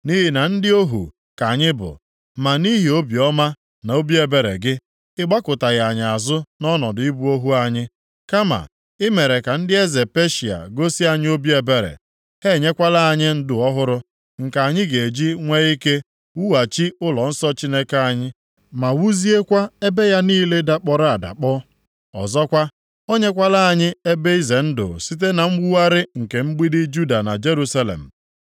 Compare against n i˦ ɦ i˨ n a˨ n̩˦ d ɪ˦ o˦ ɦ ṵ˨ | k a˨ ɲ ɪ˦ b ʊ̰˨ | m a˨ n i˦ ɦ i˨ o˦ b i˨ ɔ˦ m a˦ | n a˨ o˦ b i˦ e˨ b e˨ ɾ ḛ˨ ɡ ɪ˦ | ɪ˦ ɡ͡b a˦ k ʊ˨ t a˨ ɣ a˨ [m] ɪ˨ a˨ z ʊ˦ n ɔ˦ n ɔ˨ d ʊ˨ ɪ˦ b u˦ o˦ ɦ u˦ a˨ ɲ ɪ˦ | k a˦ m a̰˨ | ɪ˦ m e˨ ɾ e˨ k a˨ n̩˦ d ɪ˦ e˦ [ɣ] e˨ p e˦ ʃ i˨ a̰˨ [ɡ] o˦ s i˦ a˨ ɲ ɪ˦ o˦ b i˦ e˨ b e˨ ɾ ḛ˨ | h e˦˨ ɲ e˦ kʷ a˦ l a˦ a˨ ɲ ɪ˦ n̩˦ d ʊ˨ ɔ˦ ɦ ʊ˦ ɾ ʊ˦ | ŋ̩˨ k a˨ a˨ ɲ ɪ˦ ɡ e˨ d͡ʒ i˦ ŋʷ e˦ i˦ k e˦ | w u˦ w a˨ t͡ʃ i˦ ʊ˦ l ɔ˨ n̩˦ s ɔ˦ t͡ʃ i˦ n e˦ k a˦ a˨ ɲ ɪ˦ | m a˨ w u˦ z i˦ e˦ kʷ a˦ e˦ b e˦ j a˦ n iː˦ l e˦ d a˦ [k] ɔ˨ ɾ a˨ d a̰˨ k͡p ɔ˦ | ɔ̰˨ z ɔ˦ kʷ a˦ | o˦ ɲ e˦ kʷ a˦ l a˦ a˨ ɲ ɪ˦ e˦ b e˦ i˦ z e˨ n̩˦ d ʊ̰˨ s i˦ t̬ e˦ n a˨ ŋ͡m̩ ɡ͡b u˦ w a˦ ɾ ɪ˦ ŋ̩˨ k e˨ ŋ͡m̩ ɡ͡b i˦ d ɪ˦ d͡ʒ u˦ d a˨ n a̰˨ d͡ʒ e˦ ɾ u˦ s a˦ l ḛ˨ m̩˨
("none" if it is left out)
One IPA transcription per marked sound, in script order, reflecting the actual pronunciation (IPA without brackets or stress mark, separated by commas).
ɲ, z, ɡ, k͡p